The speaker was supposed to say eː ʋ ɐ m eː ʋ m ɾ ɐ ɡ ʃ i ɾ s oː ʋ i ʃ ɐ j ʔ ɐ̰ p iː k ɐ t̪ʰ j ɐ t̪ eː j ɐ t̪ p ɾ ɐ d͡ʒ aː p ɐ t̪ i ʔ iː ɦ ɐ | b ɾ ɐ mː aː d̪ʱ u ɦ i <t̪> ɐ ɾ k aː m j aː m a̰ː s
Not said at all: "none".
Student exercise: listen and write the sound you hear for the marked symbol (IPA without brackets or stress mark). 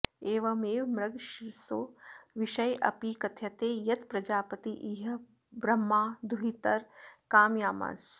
t̪